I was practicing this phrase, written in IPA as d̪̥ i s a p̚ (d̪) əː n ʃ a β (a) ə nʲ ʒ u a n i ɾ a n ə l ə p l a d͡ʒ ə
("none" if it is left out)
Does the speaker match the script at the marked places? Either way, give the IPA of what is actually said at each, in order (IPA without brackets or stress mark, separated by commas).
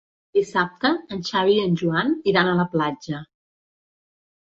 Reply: t̪, i